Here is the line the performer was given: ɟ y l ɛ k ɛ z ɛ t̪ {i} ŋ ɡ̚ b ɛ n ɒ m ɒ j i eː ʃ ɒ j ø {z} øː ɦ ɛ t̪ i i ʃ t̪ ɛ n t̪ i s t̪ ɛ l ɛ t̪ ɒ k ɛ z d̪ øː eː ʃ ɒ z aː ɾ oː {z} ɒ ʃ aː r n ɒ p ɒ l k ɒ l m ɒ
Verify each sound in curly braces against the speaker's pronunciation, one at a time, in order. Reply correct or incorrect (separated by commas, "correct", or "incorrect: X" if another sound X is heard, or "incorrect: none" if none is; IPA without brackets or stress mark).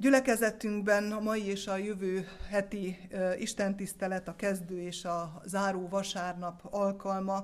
incorrect: y, incorrect: v, incorrect: v